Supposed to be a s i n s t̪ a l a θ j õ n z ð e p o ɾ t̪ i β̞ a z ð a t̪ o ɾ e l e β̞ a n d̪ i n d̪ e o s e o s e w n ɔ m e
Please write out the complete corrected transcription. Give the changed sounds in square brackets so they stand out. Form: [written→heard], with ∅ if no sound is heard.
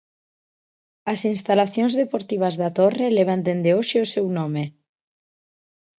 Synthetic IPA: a s i n s t̪ a l a θ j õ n z ð e p o ɾ t̪ i β̞ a z ð a t̪ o [ɾ→r] e l e β̞ a n d̪ [i→e] n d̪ e o [s→ʃ] e o s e w n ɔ m e